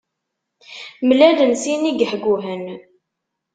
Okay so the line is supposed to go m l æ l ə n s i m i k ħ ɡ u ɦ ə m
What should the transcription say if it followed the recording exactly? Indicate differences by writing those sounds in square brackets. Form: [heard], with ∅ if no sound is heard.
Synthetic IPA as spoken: m l æ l ə n s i [n] i [ɡ] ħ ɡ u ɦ ə [n]